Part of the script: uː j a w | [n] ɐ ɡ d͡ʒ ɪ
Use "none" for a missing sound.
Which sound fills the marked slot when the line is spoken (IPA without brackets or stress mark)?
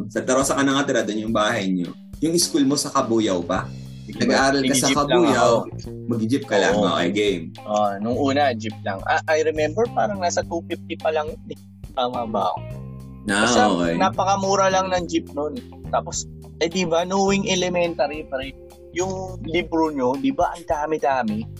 m